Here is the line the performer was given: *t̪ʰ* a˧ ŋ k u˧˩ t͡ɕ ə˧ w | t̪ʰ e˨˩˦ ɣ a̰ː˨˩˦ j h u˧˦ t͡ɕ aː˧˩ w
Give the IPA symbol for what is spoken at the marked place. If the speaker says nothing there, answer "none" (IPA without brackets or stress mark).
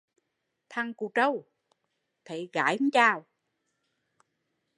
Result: t̪ʰ